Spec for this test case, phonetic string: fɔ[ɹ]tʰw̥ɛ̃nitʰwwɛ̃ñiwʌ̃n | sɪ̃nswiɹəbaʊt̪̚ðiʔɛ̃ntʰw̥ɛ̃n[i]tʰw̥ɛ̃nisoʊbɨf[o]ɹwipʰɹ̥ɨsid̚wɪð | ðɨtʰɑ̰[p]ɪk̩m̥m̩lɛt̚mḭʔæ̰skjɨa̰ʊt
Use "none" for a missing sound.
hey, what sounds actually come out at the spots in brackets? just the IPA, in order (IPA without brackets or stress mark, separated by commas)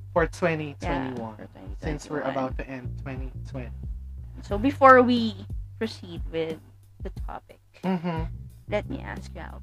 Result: ɹ, i, ɔ, p